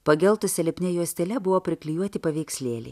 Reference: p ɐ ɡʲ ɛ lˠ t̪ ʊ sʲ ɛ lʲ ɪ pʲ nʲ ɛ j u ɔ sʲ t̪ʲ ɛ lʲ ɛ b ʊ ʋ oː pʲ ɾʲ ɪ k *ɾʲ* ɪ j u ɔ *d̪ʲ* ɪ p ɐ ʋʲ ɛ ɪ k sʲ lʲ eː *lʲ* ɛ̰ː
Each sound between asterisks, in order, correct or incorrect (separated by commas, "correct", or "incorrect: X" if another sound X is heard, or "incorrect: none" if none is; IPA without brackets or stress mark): incorrect: lʲ, incorrect: t̪ʲ, correct